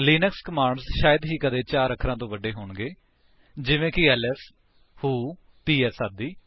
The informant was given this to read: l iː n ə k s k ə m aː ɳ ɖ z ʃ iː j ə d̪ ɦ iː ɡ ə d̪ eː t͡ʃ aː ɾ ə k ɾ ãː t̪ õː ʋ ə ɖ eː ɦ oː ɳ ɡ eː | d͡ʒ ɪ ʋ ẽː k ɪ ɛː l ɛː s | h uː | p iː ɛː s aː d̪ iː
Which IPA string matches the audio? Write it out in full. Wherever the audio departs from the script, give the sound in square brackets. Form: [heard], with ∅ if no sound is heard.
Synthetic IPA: l iː n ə k s k ə m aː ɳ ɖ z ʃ [aː] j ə d̪ ɦ iː [k] ə d̪ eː t͡ʃ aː ɾ ə [kʰ] ɾ ãː t̪ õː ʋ ə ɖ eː ɦ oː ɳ ɡ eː | d͡ʒ ɪ ʋ ẽː k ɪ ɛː l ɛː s | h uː | p iː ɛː s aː d̪ iː